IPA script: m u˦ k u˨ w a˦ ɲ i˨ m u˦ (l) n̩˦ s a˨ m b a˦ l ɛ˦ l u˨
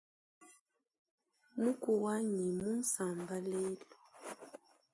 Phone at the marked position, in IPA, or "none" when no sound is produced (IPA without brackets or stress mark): none